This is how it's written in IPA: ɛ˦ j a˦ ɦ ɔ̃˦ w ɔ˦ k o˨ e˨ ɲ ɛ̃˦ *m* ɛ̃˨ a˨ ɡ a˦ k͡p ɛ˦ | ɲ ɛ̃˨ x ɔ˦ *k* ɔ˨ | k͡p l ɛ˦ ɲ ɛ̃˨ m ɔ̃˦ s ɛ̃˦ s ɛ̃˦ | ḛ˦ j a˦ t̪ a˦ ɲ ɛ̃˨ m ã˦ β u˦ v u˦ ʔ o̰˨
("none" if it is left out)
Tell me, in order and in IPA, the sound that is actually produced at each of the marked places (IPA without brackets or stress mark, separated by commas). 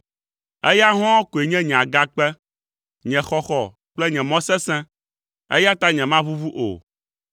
ɲ, x